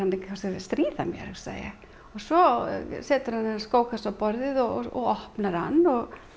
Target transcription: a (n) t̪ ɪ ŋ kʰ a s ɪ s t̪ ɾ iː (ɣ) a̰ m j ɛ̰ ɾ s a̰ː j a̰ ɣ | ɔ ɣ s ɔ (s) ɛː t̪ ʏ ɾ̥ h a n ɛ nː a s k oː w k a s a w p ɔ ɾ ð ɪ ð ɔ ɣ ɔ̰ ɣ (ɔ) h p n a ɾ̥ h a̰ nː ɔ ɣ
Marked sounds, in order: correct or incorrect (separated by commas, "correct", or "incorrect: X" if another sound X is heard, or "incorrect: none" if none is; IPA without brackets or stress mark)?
correct, incorrect: ð, correct, correct